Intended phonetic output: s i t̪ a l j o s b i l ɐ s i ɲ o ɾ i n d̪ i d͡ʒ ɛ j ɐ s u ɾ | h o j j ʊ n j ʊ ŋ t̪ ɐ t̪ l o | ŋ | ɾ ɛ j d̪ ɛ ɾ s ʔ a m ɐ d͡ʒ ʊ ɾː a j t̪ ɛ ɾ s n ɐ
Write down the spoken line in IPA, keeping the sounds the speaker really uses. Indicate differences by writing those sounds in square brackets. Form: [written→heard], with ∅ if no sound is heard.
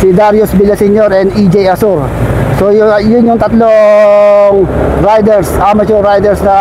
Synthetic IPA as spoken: s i [t̪→d̪] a [l→ɾ] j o s b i l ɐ s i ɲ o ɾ [i→ɛ] n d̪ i d͡ʒ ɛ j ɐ s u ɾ | [h→s] o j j ʊ n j ʊ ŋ t̪ ɐ t̪ l o | ŋ | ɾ [ɛ→a] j d̪ ɛ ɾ s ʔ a m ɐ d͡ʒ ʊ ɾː a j [t̪→d̪] ɛ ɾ s n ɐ